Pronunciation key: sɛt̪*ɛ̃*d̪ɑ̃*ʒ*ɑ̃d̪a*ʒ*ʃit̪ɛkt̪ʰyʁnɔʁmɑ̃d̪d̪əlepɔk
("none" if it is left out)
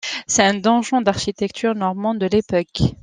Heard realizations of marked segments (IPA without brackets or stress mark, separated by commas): ɛ̃, ʒ, ʁ